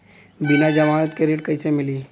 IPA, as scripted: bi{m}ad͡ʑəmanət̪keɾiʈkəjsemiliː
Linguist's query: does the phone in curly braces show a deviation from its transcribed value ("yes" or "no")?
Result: yes